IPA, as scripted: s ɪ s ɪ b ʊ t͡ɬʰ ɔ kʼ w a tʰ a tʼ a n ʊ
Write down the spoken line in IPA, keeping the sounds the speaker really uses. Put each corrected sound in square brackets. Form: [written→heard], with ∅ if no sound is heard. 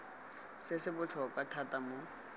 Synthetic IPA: s ɪ s ɪ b ʊ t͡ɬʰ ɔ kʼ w a tʰ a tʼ a [n→m] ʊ